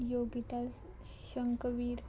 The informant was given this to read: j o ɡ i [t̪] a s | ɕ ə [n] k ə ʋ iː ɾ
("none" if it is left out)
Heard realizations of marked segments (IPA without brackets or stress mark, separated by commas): t̪, ŋ